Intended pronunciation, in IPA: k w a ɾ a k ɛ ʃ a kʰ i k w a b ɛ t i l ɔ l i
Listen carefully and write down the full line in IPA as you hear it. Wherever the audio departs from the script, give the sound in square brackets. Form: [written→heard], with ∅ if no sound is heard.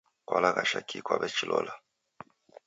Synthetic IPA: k w a [ɾ→l] a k [ɛ→a] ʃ a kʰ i k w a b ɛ [t→t͡ʃ] i l ɔ l [i→a]